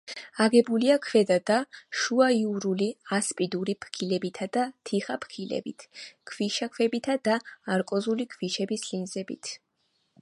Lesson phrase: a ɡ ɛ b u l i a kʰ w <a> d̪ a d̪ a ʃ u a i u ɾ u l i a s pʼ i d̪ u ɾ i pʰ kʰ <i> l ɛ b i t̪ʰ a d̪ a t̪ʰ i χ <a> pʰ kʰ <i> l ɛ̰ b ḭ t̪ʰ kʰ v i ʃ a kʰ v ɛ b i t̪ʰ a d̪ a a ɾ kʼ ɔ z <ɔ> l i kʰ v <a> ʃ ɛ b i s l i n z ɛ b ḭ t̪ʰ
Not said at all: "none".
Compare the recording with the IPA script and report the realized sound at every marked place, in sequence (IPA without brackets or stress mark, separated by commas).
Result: ɛ, i, a, i, u, i